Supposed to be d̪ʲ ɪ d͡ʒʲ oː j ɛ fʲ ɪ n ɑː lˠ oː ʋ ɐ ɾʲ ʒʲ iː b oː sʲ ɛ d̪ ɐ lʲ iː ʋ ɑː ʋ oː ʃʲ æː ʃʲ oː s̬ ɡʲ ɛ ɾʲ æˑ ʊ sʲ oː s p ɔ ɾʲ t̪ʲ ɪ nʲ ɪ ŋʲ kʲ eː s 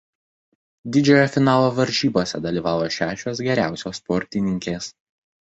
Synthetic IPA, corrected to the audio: d̪ʲ ɪ d͡ʒʲ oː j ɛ fʲ ɪ n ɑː lˠ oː ʋ ɐ ɾʲ ʒʲ iː b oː sʲ ɛ d̪ ɐ lʲ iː ʋ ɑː ʋ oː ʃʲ æː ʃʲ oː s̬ ɡʲ ɛ ɾʲ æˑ ʊ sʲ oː s p ɔ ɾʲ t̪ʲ ɪ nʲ ɪ ŋʲ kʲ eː s